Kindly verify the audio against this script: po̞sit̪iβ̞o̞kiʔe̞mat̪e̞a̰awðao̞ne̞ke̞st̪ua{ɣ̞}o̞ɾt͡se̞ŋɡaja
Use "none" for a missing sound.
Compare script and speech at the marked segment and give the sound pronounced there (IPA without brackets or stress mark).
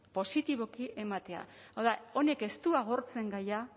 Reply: ɣ̞